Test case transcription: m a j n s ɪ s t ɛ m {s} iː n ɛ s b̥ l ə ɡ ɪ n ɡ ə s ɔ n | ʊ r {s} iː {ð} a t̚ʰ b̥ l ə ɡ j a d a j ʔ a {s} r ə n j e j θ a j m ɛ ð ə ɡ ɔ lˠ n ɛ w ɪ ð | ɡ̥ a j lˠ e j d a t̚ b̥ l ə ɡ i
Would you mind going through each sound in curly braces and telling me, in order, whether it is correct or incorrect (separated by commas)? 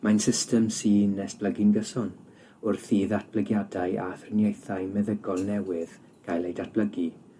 correct, incorrect, correct, incorrect